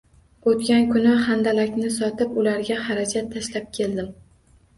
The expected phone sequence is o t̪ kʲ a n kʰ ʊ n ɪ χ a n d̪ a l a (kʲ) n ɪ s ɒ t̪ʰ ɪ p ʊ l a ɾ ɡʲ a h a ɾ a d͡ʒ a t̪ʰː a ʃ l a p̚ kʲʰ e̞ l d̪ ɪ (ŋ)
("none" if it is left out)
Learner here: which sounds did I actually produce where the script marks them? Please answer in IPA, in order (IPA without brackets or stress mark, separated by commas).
kʲ, m